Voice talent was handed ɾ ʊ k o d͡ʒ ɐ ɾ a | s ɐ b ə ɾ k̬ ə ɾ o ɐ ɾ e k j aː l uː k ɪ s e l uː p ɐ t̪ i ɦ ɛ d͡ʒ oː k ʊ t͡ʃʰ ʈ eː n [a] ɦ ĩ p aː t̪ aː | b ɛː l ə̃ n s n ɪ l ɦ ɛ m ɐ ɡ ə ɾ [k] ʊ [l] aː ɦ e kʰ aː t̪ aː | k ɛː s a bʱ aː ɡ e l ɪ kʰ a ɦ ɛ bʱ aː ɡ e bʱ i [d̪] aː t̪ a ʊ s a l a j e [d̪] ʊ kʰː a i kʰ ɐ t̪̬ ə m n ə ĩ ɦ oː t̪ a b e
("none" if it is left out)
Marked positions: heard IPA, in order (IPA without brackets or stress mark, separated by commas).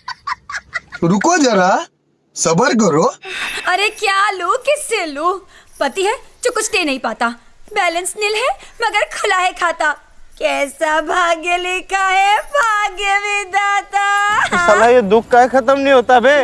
ɐ, kʰ, l, d̪, d̪